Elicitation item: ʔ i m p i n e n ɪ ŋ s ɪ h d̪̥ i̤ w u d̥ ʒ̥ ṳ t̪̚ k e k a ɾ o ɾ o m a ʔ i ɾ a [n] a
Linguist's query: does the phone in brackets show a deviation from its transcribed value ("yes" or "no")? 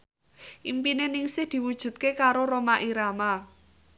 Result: yes